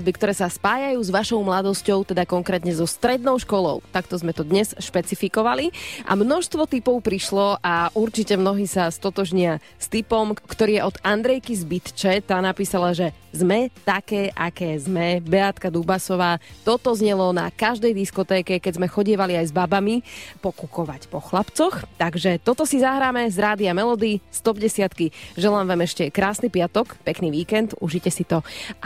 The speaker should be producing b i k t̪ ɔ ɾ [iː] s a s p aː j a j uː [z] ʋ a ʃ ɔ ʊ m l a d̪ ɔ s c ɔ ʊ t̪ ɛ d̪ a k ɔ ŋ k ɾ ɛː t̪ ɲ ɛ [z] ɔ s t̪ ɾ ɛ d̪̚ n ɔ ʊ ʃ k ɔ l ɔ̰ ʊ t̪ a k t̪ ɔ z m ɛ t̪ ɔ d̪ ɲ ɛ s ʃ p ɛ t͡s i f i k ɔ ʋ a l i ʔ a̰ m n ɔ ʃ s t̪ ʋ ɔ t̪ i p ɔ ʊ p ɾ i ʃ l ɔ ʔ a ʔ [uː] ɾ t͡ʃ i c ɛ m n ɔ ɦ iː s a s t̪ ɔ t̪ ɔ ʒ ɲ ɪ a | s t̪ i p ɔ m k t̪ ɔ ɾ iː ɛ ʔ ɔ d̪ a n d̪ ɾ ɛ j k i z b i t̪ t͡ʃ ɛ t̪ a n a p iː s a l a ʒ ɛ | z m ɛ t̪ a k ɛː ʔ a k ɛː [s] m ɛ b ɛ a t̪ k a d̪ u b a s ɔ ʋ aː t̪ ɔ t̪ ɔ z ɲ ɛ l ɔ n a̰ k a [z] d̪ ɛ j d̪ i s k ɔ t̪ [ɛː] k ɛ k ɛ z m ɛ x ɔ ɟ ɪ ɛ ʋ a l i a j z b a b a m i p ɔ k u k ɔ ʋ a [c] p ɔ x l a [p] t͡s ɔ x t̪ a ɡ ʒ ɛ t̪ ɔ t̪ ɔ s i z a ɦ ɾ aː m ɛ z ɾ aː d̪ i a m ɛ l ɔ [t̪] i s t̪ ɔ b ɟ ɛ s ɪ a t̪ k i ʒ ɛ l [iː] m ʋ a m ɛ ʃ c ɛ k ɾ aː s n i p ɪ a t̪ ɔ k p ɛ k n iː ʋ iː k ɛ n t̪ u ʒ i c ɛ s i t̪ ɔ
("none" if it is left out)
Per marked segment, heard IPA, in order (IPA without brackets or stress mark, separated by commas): ɛː, z, z, u, z, ʒ, ɛː, c, p, d̪, aː